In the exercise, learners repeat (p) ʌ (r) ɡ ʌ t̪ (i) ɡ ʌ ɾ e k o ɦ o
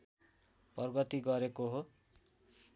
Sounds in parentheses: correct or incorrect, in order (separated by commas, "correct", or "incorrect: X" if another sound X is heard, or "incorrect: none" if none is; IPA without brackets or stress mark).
correct, correct, correct